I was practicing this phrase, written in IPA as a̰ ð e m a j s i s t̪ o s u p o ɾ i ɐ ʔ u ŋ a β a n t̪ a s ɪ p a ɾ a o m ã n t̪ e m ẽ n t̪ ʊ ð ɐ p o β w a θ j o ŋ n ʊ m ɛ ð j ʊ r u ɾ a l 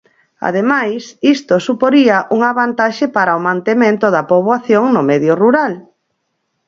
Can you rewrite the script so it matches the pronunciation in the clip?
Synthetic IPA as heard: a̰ ð e m a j s i s t̪ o s u p o ɾ i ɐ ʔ u ŋ a β a n t̪ a ʃ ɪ p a ɾ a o m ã n t̪ e m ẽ n t̪ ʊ ð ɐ p o β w a θ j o ŋ n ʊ m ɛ ð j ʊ r u ɾ a l